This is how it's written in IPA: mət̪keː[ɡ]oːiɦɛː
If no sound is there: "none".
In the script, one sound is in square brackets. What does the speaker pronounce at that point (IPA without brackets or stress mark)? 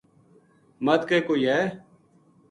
k